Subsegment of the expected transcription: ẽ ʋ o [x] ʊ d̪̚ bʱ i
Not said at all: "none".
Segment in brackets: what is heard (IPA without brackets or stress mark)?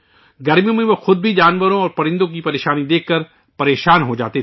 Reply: x